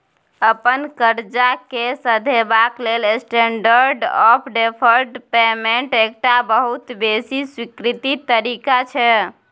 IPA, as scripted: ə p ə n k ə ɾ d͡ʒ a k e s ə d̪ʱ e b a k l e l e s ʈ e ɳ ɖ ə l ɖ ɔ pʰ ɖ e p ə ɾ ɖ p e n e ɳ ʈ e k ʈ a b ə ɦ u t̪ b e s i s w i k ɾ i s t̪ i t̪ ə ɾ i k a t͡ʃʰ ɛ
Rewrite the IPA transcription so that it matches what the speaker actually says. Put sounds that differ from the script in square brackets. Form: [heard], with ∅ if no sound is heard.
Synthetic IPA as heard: ə p ə n k ə ɾ d͡ʒ a k e s ə d̪ʱ e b a k l e l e s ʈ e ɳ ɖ ə [ɾ] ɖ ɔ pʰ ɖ e [pʰ] ə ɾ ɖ p e [m] e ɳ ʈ e k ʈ a b ə ɦ u t̪ b e s i s w i k ɾ i [∅] t̪ i t̪ ə ɾ i k a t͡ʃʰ ɛ